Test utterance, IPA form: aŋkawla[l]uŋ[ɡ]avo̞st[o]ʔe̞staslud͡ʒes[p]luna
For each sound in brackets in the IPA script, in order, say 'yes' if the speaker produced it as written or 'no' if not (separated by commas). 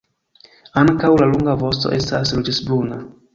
yes, yes, yes, no